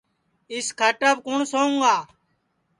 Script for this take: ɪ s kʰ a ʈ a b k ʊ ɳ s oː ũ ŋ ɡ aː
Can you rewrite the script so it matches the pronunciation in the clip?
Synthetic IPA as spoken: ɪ s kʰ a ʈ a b k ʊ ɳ s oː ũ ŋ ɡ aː